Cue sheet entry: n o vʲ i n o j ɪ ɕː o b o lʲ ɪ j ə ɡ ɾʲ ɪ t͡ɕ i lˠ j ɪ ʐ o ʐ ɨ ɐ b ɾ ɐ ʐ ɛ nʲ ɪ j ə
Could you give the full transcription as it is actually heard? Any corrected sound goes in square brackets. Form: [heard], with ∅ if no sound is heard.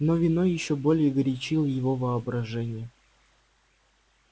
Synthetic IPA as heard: n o vʲ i n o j ɪ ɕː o b o lʲ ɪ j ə ɡ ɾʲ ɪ t͡ɕ i lˠ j ɪ [v] o [v] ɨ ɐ b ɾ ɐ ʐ ɛ nʲ ɪ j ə